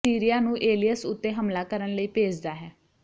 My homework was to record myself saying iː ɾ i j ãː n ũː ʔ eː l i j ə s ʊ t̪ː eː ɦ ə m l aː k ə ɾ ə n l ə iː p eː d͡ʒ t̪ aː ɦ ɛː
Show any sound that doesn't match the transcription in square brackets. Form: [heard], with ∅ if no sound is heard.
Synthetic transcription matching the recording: iː ɾ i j [aː] n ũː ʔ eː l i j ə s ʊ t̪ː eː ɦ ə m l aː k ə ɾ ə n l ə iː p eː d͡ʒ [d̪] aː ɦ ɛː